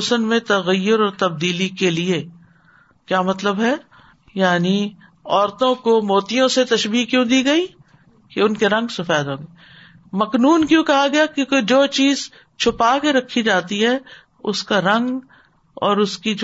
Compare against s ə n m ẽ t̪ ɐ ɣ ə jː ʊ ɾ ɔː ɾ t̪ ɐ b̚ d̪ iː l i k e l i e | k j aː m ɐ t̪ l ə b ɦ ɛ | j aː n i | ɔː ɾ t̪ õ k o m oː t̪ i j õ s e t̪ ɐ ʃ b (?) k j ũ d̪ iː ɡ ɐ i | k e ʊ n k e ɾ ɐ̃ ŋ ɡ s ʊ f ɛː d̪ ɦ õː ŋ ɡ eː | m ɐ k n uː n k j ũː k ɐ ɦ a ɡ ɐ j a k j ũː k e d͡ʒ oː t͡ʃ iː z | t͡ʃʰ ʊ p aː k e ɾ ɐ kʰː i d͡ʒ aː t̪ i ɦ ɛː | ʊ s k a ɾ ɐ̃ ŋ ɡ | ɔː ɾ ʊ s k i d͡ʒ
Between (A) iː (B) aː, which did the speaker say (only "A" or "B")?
A